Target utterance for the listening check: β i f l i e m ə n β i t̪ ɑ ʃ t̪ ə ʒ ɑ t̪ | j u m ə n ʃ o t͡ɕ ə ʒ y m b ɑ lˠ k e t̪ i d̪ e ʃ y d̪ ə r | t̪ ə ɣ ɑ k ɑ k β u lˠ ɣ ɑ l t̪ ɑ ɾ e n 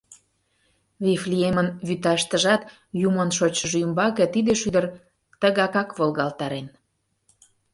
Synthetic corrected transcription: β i f l i e m ə n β y t̪ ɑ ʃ t̪ ə ʒ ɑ t̪ | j u m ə n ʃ o t͡ɕ ə ʒ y m b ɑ k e t̪ i d̪ e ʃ y d̪ ə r | t̪ ə ɣ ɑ k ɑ k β o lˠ ɣ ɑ l t̪ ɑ ɾ e n